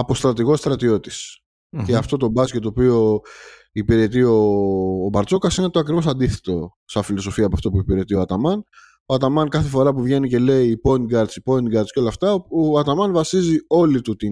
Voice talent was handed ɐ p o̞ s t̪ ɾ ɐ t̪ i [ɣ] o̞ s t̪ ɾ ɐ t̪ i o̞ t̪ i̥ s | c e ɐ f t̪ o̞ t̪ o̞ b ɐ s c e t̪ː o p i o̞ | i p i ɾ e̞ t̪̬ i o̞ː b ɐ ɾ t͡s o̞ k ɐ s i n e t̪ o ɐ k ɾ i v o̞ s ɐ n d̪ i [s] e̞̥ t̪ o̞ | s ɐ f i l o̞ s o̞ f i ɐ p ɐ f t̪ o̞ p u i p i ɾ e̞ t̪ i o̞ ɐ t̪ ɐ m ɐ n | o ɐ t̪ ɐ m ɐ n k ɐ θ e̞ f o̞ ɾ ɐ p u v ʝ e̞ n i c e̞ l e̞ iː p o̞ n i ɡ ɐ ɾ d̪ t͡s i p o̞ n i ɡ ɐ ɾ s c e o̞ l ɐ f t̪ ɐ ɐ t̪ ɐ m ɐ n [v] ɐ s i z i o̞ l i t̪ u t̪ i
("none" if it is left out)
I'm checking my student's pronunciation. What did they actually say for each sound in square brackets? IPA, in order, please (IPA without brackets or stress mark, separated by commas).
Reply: ɣ, θ, v